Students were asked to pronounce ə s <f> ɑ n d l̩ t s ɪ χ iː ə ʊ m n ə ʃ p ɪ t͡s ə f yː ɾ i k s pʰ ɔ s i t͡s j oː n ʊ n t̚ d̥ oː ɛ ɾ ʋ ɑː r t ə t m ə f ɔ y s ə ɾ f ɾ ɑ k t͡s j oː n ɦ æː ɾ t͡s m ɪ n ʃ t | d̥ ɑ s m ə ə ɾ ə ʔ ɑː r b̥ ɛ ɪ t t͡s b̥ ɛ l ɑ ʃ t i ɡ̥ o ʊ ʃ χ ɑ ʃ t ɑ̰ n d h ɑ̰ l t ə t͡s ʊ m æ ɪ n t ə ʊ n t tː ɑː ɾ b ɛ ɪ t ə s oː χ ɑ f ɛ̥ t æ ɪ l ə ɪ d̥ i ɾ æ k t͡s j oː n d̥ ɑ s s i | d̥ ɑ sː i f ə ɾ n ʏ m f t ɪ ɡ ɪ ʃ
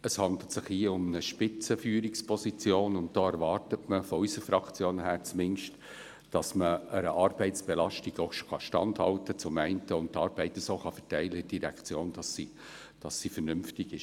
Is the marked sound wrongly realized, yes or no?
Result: yes